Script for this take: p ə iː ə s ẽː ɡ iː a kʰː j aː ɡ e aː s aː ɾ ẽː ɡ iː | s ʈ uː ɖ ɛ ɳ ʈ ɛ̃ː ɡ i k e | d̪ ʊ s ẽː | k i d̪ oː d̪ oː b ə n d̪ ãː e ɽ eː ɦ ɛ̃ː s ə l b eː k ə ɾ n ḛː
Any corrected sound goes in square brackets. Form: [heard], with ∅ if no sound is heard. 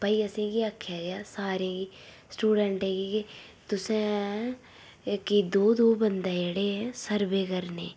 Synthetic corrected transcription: p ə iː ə s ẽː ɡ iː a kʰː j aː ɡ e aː s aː ɾ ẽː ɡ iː | s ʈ uː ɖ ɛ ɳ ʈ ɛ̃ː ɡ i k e | [t̪] ʊ s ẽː | k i d̪ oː d̪ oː b ə n d̪ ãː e ɽ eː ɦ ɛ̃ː s ə [ɾ] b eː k ə ɾ n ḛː

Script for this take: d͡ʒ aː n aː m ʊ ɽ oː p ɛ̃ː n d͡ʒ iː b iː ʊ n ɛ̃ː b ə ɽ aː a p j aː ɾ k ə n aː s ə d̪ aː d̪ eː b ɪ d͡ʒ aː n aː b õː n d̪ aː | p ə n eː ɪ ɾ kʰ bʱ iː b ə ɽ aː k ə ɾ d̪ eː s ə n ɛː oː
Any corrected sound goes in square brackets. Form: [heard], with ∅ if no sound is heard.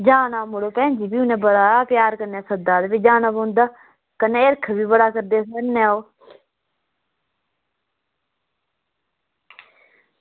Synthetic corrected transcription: d͡ʒ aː n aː m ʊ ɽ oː p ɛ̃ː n d͡ʒ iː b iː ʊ n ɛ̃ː b ə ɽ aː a p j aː ɾ k ə n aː s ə d̪ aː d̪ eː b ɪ d͡ʒ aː n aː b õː n d̪ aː | [k] ə n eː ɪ ɾ kʰ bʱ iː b ə ɽ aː k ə ɾ d̪ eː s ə n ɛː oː

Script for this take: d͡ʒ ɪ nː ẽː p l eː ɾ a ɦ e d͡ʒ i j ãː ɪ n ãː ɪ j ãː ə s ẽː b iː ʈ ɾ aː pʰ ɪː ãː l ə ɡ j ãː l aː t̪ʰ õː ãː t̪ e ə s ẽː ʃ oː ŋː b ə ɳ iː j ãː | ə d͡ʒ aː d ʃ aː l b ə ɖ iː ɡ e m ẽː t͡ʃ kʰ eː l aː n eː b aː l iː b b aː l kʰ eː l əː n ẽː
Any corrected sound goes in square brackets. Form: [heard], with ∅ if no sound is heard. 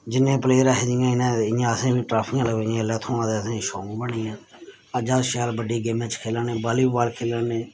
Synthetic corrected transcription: d͡ʒ ɪ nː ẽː p l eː ɾ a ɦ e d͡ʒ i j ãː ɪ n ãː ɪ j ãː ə s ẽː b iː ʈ ɾ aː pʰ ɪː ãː l ə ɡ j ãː l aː t̪ʰ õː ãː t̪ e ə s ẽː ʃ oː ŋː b ə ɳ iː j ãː | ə d͡ʒ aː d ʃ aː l b ə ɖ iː ɡ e m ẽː t͡ʃ kʰ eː l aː n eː b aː l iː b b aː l kʰ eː l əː n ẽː

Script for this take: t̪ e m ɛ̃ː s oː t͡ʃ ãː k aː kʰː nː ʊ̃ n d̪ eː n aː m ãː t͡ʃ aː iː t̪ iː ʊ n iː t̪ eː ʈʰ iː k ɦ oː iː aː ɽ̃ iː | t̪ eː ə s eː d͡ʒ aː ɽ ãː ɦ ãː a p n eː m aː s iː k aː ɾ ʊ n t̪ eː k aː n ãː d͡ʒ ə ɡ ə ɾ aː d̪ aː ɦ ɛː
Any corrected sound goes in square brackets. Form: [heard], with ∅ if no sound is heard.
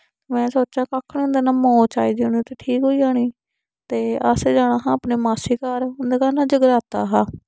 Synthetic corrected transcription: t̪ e m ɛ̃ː s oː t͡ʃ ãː k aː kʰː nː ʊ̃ n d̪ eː n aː m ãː t͡ʃ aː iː [d̪] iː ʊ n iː t̪ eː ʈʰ iː k ɦ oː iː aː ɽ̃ iː | t̪ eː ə s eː d͡ʒ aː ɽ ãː ɦ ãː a p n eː m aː s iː k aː ɾ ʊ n [d̪] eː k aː n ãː d͡ʒ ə ɡ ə ɾ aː [t̪] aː ɦ [aː]

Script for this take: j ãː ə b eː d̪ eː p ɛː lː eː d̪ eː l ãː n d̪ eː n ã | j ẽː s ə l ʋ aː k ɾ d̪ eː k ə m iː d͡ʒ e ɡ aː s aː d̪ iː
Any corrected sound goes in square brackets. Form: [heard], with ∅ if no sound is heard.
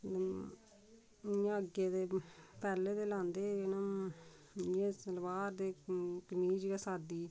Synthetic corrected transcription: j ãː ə [ɡ] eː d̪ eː p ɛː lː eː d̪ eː l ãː n d̪ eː n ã | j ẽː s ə l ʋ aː [∅] ɾ d̪ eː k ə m iː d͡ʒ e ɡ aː s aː d̪ iː

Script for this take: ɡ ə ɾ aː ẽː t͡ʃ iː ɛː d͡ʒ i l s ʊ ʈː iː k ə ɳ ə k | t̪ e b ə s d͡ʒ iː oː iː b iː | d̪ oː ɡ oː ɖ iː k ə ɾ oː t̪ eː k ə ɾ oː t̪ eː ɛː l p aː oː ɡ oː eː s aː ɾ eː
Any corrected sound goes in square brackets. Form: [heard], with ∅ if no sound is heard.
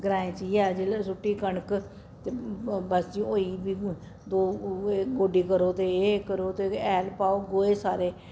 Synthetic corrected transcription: ɡ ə ɾ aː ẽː t͡ʃ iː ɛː d͡ʒ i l s ʊ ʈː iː k ə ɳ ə k | t̪ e b ə s d͡ʒ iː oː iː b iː | d̪ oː ɡ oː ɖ iː k ə ɾ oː t̪ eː k ə ɾ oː t̪ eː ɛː l p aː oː ɡ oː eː s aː ɾ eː

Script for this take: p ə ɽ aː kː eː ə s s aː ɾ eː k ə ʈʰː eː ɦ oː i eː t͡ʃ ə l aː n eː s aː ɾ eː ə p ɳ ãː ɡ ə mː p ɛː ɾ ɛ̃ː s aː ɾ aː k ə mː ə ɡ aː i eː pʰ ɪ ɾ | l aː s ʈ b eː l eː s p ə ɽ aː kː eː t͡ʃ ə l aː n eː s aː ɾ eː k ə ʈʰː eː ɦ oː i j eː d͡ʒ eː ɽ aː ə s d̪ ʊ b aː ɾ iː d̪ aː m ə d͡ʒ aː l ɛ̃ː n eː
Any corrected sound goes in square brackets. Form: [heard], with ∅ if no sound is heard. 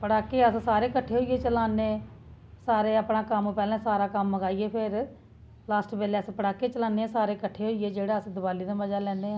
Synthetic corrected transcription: p ə ɽ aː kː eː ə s s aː ɾ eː k ə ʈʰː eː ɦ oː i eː t͡ʃ ə l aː n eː s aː ɾ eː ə p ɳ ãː [k] ə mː p ɛː [l] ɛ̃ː s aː ɾ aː k ə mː ə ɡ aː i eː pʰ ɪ ɾ | l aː s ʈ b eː l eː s p ə ɽ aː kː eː t͡ʃ ə l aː n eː s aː ɾ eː k ə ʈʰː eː ɦ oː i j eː d͡ʒ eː ɽ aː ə s d̪ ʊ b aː [l] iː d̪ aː m ə d͡ʒ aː l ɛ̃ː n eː

